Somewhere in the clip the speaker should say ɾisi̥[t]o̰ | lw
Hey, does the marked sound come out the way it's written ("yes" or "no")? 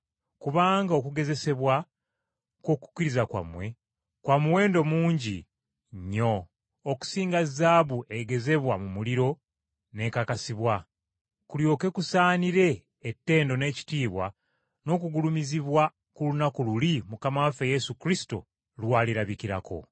yes